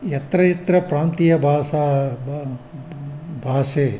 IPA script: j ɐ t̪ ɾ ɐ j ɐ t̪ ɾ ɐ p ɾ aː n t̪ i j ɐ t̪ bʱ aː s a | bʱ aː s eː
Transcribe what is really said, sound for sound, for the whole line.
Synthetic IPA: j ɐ t̪ ɾ ɐ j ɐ t̪ ɾ ɐ p ɾ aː n t̪ i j ɐ bʱ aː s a | bʱ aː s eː